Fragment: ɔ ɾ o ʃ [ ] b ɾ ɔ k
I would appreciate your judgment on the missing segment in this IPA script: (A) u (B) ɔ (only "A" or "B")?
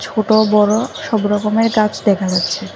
B